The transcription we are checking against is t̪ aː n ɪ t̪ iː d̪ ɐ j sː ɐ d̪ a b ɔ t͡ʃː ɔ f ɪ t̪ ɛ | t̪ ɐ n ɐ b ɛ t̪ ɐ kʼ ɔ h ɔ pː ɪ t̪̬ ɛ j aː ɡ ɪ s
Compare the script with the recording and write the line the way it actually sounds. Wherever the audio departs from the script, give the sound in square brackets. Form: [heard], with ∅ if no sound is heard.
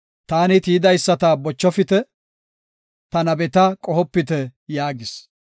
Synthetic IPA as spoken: t̪ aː n ɪ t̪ iː d̪ ɐ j sː ɐ [t̪] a b ɔ t͡ʃː ɔ f ɪ t̪ ɛ | t̪ ɐ n ɐ b ɛ t̪ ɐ kʼ ɔ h ɔ pː ɪ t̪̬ ɛ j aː ɡ ɪ s